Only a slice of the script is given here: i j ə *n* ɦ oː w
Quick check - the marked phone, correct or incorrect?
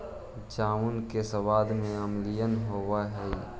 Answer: correct